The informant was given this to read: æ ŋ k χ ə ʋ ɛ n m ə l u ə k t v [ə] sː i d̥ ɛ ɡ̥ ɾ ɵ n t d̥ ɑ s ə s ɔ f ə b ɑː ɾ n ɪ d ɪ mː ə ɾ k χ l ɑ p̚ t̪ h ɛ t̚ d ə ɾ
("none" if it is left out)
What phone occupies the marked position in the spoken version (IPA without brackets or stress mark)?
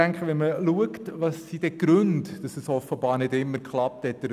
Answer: ɑ